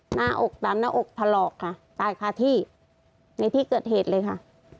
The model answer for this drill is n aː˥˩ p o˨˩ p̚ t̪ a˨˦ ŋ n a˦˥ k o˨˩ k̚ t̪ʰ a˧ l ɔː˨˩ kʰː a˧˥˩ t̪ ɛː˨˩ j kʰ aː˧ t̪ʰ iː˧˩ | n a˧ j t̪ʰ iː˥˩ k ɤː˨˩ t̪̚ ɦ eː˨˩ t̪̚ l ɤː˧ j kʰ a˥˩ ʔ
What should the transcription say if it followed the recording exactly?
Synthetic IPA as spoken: n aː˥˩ ʔ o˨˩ k̚ t̪ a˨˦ m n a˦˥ ʔ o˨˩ k̚ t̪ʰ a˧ l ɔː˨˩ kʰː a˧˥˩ t̪ aː˨˩ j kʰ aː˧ t̪ʰ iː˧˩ | n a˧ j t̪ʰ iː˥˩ k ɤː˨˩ t̪̚ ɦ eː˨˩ t̪̚ l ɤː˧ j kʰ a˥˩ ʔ